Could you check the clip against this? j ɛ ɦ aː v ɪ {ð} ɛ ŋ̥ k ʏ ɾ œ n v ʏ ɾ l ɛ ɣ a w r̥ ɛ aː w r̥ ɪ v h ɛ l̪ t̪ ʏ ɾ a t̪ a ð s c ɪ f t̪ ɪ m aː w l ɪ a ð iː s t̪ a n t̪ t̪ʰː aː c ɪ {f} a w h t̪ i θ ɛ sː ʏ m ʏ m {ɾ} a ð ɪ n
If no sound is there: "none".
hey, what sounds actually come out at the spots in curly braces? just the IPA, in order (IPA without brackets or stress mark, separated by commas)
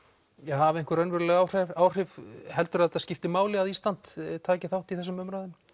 none, θ, ɾ